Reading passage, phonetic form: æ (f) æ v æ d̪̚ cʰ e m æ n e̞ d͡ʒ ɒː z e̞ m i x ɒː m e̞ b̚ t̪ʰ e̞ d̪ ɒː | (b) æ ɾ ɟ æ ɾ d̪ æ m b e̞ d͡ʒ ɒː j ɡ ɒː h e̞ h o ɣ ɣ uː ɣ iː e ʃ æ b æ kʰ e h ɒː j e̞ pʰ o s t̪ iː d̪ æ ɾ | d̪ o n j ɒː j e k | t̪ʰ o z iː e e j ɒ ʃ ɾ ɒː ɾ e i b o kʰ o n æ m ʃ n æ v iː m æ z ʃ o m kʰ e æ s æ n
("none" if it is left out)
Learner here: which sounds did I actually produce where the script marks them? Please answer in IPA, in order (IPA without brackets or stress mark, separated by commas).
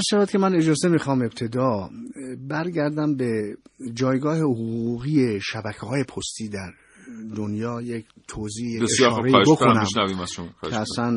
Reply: ʃ, b